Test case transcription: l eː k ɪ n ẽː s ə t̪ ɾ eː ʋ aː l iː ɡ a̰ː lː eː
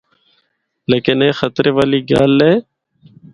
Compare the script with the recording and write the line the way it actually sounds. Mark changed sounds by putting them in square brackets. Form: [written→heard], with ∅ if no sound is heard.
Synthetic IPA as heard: l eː k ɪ n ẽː [s→x] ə t̪ ɾ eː ʋ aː l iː ɡ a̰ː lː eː